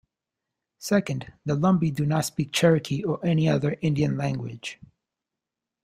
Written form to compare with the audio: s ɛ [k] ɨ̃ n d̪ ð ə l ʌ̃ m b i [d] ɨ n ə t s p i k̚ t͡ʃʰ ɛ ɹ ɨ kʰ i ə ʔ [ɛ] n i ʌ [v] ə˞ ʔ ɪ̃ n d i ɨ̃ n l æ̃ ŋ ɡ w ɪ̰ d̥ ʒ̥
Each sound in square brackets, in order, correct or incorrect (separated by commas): correct, correct, correct, incorrect